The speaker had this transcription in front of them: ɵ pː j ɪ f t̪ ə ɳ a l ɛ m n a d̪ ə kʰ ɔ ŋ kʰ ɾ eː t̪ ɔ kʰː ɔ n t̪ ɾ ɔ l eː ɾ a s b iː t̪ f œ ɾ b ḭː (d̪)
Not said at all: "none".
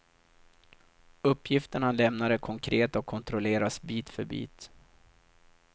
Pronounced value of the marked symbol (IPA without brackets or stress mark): t̪